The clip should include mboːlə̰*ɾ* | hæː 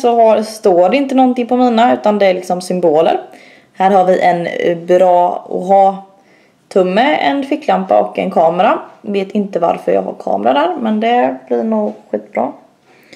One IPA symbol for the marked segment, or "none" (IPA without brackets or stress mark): ɾ